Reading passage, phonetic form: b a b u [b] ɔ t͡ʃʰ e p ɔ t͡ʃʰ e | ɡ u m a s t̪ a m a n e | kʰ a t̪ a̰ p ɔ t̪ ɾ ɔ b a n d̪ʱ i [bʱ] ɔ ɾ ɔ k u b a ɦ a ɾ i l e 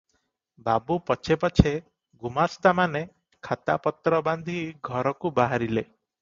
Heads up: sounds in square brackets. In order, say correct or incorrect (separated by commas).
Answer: incorrect, incorrect